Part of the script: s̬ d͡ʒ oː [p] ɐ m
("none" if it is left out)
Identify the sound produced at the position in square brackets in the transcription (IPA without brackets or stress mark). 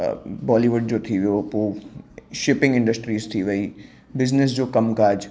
k